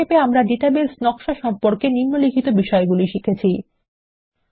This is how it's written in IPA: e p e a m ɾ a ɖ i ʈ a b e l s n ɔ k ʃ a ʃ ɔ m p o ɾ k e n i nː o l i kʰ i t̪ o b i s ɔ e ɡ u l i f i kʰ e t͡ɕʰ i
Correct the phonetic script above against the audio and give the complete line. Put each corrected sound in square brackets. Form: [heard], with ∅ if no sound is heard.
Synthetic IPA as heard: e p e a m ɾ a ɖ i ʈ a b e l s n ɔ k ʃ a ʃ ɔ m p o ɾ k e n i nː o l i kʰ i t̪ o b i [ʃ] ɔ e ɡ u l i [ʃ] i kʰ e t͡ɕʰ i